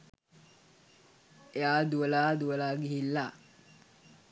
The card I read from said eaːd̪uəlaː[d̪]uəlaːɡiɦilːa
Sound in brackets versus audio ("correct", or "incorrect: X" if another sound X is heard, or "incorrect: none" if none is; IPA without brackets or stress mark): correct